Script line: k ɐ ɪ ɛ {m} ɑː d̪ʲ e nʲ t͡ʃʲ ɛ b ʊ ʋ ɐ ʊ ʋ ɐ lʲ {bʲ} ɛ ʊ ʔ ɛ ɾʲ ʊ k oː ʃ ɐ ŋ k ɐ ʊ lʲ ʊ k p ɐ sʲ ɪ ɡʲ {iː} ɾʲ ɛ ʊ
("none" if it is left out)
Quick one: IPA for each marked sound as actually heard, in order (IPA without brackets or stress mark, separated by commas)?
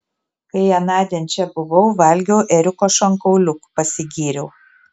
n, ɡʲ, iː